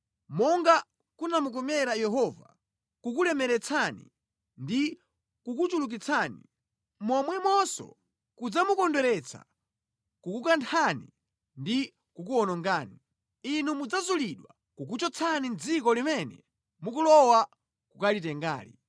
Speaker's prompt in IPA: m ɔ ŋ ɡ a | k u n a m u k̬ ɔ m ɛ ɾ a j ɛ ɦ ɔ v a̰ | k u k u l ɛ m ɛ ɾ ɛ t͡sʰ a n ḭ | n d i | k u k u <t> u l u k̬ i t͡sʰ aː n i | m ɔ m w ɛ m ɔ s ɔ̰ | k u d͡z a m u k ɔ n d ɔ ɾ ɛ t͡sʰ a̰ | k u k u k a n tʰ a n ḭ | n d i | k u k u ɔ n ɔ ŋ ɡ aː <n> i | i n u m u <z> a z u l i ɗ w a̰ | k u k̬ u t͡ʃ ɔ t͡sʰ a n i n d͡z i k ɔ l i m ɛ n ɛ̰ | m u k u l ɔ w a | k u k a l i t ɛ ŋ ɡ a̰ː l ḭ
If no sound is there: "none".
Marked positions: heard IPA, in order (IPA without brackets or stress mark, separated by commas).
t͡ʃ, n, d͡z